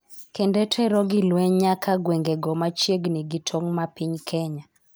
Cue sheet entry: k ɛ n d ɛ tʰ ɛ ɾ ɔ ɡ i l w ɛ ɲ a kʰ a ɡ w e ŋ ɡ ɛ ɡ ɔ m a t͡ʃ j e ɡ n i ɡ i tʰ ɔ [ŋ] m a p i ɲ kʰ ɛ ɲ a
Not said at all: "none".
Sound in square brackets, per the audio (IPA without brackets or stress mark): ŋ